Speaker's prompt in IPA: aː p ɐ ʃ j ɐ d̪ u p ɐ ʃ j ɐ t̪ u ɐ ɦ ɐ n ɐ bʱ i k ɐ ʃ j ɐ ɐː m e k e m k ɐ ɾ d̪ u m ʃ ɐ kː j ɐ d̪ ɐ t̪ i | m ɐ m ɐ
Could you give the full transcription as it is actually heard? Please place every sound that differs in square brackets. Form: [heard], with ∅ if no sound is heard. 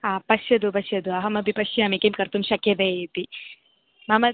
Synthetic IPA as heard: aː p ɐ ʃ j ɐ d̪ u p ɐ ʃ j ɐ [d̪] u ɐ ɦ ɐ [m] ɐ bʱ i [p] ɐ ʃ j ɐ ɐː m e k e m k ɐ ɾ [t̪] u m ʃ ɐ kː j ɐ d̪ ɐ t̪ i | m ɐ m ɐ